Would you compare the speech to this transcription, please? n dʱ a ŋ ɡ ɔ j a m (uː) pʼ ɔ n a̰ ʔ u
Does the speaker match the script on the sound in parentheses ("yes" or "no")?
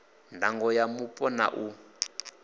no